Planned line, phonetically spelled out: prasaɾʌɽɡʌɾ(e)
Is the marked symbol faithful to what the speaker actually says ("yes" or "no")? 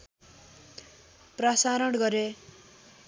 yes